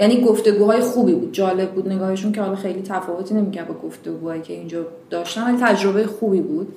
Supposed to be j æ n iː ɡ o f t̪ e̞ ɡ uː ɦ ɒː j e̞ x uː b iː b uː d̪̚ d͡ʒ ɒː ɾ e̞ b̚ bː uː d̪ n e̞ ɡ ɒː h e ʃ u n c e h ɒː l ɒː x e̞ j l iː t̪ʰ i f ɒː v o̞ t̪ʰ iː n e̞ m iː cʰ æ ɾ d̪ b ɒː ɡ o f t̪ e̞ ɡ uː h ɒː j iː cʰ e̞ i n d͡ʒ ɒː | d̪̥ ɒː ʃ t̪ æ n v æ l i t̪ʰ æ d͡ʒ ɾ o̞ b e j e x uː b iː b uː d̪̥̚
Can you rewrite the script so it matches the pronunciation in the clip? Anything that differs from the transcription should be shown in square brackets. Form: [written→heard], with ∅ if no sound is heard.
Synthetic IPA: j æ n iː ɡ o f t̪ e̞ ɡ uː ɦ ɒː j e̞ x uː b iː b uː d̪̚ d͡ʒ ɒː [ɾ→l] e̞ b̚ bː uː d̪ n e̞ ɡ ɒː h e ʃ u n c e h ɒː l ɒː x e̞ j l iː t̪ʰ [i→æ] f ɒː v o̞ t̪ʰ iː n e̞ m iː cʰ æ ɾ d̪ b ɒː ɡ o f t̪ e̞ ɡ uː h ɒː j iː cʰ e̞ i n d͡ʒ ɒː | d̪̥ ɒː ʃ t̪ æ n v æ l i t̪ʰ æ d͡ʒ ɾ o̞ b e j e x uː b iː b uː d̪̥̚